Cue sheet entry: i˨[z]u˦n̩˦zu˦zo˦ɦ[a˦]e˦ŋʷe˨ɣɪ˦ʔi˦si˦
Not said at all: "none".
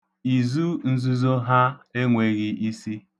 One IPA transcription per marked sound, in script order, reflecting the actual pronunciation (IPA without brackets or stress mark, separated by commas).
z, a˦